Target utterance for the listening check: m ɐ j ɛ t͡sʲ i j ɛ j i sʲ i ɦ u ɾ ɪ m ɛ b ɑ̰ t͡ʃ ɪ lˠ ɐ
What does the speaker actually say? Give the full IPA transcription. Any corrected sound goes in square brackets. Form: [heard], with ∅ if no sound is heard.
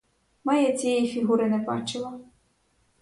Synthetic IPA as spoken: m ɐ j ɛ t͡sʲ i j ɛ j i [fʲ] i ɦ u ɾ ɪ [n] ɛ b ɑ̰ t͡ʃ ɪ lˠ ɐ